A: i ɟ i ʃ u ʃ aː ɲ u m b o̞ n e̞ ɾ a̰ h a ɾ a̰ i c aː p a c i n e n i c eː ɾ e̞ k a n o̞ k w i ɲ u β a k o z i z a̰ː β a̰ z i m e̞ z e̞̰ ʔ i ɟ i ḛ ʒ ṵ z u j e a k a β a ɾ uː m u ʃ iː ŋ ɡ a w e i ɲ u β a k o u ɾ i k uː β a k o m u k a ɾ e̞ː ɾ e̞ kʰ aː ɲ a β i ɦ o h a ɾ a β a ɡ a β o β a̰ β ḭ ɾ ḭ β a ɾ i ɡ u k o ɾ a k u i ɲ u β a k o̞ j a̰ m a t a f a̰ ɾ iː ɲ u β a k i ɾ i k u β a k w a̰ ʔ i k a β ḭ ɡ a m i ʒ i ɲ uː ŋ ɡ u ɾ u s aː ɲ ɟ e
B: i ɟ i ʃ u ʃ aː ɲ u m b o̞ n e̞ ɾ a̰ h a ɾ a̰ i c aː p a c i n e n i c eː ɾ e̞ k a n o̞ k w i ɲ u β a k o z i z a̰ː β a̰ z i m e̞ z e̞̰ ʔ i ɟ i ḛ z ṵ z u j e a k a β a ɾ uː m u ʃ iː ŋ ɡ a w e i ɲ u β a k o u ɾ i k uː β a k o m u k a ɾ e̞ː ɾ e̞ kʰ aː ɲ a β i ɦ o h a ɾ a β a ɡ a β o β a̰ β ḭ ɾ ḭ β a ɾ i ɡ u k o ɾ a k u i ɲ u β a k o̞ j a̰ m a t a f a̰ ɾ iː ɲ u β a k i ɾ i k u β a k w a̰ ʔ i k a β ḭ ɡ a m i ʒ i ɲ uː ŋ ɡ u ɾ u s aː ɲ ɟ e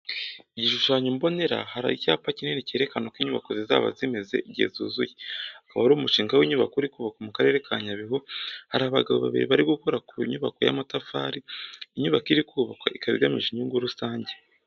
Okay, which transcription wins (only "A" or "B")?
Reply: B